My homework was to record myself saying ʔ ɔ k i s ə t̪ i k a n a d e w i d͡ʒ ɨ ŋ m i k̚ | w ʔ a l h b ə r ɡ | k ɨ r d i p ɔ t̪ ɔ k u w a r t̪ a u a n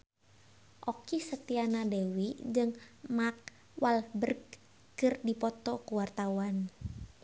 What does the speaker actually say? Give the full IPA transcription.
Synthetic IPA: ʔ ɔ k i s ə t̪ i a n a d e w i d͡ʒ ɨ ŋ m a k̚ | w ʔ a l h b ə r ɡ | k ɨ r d i p ɔ t̪ ɔ k u w a r t̪ a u a n